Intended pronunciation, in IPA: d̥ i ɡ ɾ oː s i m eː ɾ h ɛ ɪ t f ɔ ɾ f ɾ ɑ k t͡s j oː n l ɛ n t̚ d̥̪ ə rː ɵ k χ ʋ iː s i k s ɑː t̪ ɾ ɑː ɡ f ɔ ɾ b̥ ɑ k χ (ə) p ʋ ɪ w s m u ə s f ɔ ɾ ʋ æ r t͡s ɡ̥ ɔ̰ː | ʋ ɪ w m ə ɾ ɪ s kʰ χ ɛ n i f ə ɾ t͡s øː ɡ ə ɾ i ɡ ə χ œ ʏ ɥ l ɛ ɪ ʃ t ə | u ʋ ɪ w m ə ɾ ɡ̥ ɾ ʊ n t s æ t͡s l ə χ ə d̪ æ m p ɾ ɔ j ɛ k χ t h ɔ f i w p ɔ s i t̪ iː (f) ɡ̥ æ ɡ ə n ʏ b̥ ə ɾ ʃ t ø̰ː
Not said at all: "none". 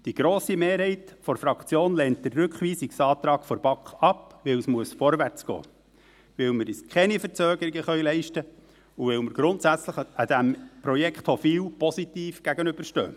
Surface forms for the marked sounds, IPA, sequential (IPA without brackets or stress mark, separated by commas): ɑ, f